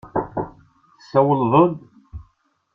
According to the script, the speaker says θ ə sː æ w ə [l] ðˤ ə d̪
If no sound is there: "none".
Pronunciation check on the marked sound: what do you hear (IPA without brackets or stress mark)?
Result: l